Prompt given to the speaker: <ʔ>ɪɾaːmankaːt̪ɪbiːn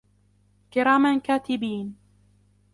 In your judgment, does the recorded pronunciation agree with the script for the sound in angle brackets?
no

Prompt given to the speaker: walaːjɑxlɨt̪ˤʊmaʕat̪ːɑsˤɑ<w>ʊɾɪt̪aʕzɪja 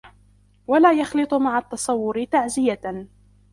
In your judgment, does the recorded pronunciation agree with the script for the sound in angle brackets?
no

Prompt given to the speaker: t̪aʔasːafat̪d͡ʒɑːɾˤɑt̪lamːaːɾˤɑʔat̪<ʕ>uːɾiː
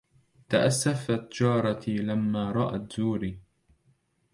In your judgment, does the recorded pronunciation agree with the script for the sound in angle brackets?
no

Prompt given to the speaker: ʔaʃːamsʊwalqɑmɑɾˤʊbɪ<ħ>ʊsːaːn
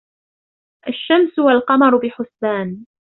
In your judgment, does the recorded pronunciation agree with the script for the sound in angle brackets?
yes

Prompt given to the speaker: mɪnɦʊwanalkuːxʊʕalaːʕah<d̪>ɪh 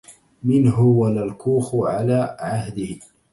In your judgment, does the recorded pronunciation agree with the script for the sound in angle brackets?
yes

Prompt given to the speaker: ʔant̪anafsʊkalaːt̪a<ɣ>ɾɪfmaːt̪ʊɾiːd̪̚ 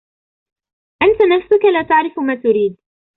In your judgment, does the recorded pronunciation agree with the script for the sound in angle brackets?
no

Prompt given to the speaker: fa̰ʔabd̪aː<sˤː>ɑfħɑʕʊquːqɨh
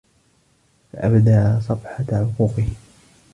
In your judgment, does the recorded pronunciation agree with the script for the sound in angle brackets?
no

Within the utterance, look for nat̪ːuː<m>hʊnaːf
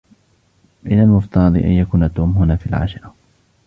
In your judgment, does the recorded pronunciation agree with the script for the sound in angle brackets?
yes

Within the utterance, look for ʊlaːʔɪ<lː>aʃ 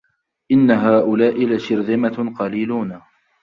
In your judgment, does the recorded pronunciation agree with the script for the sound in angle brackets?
no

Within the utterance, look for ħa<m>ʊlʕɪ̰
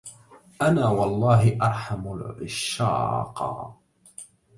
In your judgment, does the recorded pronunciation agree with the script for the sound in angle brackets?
yes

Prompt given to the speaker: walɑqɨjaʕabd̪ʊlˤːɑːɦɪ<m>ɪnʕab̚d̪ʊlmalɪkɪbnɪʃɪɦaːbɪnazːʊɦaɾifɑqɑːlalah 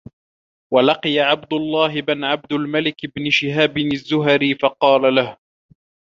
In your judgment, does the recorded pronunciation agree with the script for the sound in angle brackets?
no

